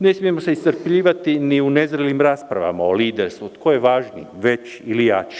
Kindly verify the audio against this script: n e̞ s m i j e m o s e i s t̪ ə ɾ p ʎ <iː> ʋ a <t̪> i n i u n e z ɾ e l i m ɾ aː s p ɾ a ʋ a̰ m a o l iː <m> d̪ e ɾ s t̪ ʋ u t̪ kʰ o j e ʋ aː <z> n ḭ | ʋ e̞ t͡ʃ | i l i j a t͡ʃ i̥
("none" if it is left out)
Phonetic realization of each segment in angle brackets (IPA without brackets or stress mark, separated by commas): iː, t̪, none, ʒ